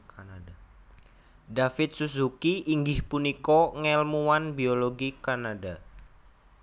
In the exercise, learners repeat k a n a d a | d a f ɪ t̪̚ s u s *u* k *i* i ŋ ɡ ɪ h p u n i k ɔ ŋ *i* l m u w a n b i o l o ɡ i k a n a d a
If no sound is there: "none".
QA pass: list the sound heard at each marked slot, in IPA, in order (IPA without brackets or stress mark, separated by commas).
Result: u, i, ɛ